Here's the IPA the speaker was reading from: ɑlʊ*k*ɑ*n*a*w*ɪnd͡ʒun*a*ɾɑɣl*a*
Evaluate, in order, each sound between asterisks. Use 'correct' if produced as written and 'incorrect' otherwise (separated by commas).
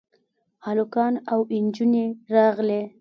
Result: correct, correct, correct, incorrect, incorrect